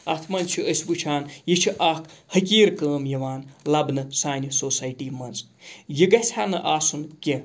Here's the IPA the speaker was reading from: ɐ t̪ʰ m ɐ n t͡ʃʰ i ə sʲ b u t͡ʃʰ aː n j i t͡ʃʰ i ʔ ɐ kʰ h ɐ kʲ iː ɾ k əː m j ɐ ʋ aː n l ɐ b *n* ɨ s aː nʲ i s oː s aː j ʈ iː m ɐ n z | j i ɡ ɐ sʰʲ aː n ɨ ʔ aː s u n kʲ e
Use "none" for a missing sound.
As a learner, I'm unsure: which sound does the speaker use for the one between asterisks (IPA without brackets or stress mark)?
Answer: n